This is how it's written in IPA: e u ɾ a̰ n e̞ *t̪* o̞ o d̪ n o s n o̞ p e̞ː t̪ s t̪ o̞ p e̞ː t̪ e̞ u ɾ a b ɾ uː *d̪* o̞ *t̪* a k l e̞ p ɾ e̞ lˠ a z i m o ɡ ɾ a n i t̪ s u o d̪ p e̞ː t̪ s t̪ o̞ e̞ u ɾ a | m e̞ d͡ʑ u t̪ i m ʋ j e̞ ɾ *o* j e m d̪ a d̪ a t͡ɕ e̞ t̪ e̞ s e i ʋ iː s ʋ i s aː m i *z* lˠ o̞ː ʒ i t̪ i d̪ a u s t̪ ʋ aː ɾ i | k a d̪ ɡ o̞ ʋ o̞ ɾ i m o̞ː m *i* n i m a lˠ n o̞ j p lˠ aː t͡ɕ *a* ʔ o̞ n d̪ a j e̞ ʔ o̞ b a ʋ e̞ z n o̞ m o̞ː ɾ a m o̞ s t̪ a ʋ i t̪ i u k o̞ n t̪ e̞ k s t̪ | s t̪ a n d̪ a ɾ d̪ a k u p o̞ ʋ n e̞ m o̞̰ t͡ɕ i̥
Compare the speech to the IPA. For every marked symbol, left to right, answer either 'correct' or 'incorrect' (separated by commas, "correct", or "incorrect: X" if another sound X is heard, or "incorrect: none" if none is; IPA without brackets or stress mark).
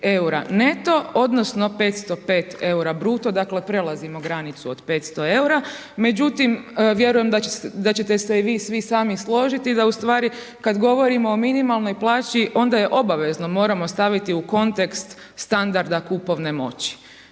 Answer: correct, incorrect: t̪, incorrect: d̪, incorrect: u, incorrect: s, correct, incorrect: i